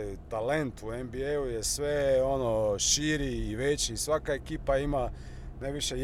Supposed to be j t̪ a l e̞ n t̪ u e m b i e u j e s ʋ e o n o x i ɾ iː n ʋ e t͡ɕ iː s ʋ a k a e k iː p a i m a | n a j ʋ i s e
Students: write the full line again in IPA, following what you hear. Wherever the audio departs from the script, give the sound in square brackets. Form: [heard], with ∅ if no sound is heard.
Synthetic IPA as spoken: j t̪ a l e̞ n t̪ u e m b i e u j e s ʋ e o n o [ʃ] i ɾ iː [∅] ʋ e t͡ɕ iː s ʋ a k a e k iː p a i m a | n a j ʋ i [ʃ] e